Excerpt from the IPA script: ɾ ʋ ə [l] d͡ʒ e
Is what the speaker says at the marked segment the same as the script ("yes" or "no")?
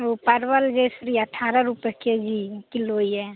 yes